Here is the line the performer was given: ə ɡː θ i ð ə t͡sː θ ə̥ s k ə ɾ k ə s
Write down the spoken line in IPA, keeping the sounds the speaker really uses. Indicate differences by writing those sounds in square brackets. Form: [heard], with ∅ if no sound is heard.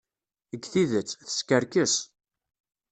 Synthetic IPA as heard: ə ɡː θ i ð ə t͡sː θ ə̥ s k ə ɾ k ə s